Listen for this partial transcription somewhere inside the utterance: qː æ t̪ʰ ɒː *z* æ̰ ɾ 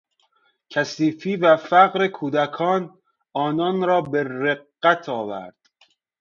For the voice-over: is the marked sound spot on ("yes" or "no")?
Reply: no